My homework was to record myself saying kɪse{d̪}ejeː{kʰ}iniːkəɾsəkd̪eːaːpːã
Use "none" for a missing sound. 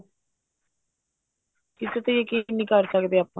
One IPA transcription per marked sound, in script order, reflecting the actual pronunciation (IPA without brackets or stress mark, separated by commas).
t̪, k